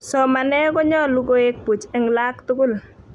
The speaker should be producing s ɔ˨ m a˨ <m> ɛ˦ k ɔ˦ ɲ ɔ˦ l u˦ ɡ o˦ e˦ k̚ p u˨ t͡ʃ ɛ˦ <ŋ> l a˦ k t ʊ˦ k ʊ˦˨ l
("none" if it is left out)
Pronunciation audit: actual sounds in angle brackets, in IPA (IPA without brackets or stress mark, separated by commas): n, ŋ